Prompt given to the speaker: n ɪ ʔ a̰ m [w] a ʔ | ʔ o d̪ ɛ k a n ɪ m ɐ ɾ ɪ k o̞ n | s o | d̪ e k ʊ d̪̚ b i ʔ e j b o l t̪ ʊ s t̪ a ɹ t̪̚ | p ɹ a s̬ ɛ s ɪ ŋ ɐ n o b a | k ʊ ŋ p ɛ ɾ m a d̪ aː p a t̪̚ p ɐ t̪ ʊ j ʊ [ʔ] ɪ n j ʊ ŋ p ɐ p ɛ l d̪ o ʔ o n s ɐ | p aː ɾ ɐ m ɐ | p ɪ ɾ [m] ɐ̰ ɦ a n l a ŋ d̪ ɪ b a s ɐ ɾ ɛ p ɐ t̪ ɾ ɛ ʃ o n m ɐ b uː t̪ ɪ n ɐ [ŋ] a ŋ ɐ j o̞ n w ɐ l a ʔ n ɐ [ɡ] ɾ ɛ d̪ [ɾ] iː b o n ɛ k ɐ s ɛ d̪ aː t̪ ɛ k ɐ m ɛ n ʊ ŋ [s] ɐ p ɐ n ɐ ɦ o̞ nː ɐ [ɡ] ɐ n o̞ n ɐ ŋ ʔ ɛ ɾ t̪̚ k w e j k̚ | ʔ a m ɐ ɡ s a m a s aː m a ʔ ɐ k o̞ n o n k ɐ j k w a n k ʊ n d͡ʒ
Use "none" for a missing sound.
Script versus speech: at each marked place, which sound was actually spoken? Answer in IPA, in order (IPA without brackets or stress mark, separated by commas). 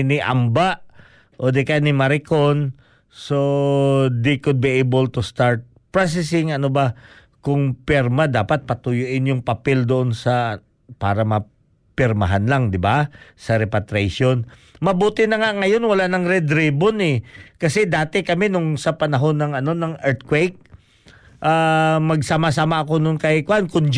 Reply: b, ʔ, m, ŋ, ŋ, ɾ, s, ŋ